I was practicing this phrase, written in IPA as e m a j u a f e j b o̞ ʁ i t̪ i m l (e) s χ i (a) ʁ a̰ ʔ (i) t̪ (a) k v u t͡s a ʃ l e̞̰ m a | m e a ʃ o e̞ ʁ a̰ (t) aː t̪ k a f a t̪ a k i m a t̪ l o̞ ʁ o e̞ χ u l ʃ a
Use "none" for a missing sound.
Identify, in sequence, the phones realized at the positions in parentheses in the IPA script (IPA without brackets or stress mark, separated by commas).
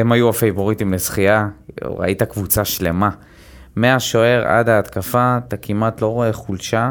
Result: e, a, i, a, d